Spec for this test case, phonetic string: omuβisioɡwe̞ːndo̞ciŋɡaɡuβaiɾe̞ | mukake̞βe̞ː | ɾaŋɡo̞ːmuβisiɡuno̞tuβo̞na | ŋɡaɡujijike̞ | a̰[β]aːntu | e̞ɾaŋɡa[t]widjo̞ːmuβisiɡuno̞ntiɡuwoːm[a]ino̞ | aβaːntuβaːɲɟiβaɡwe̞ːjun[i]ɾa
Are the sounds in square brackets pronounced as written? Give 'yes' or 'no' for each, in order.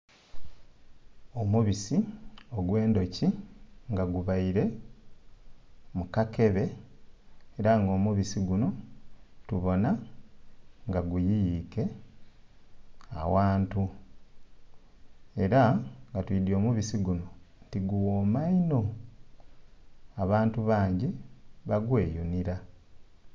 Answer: no, yes, yes, yes

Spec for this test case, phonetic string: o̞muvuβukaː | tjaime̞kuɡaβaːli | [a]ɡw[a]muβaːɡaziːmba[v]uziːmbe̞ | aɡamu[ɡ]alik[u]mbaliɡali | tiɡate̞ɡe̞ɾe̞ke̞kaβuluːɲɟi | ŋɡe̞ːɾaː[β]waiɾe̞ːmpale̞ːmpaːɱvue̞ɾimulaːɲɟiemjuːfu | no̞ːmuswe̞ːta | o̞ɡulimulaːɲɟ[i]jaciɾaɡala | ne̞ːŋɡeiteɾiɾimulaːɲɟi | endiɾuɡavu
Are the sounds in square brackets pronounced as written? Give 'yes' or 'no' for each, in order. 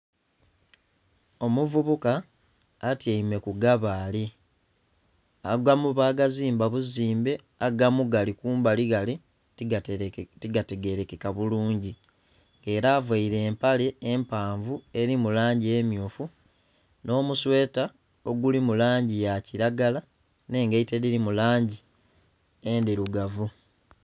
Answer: yes, yes, no, yes, no, no, yes

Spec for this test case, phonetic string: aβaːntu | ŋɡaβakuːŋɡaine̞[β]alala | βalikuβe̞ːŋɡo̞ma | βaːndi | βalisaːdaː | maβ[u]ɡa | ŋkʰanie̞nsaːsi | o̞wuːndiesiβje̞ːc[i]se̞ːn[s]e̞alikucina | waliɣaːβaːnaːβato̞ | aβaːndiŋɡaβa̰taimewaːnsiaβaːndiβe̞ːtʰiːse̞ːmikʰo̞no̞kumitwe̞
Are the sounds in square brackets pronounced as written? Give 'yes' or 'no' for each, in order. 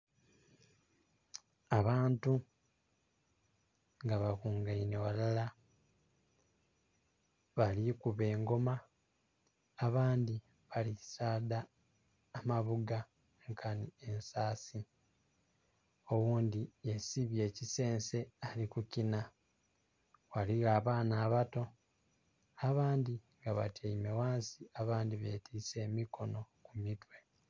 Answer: no, yes, yes, yes

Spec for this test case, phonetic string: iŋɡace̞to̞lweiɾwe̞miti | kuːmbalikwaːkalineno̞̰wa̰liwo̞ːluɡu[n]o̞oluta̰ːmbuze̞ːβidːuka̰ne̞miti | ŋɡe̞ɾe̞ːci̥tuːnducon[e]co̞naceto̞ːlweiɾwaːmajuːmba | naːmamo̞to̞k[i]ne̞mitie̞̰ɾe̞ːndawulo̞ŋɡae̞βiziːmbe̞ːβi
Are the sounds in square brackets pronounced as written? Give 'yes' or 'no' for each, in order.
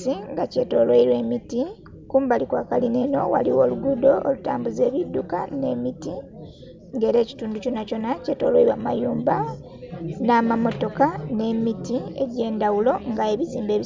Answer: no, no, no

